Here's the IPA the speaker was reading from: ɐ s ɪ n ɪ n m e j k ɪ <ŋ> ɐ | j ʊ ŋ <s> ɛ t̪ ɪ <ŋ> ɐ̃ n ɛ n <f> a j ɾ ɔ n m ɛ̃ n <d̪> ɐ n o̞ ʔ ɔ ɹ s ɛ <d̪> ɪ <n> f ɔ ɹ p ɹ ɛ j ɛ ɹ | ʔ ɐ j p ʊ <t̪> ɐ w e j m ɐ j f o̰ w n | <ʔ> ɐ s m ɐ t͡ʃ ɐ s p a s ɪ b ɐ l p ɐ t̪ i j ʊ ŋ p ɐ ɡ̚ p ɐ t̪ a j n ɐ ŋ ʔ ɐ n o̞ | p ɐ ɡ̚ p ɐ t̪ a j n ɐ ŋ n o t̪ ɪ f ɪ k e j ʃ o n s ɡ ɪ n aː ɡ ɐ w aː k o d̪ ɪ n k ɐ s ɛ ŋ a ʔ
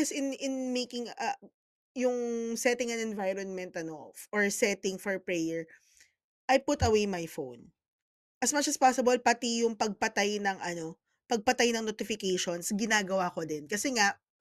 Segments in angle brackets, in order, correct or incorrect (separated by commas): correct, correct, correct, incorrect, incorrect, incorrect, incorrect, correct, correct